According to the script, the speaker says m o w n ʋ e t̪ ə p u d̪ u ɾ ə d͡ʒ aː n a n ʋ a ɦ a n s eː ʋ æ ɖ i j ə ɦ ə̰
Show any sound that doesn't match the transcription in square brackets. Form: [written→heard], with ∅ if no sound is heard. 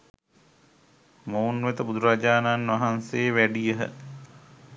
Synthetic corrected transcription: m o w n ʋ e t̪ ə [p→b] u d̪ u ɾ [ə→a] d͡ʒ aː n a n ʋ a ɦ a n s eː ʋ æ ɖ i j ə ɦ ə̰